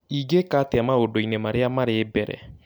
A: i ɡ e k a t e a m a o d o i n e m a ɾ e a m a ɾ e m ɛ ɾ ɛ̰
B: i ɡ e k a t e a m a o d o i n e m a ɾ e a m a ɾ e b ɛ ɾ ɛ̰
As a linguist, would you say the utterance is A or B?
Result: B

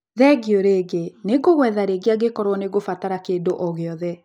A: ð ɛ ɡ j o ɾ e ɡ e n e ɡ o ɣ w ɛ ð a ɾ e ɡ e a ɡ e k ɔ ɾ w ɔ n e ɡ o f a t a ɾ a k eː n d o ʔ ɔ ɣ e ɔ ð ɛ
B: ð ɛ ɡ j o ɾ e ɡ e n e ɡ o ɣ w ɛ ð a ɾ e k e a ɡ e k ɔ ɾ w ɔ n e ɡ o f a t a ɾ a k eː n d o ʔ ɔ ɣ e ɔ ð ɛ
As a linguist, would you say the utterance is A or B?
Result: A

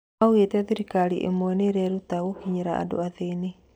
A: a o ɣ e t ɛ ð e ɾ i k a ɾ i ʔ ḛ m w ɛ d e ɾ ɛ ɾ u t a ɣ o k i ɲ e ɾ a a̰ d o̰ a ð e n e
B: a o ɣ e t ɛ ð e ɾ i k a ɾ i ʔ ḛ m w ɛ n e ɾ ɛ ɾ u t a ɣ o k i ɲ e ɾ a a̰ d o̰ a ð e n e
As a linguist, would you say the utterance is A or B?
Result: B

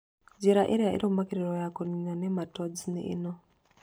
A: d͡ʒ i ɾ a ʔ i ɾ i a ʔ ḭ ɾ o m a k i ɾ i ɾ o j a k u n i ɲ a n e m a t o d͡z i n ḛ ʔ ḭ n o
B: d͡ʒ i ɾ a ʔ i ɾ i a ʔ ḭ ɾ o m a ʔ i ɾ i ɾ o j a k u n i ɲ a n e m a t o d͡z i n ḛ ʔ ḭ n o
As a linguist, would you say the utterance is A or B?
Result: A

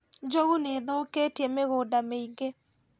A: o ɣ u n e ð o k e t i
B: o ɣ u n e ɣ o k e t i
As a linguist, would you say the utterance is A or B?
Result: A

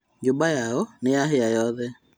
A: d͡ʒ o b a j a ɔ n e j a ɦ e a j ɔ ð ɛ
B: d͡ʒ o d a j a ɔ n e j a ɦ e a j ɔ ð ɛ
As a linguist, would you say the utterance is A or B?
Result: A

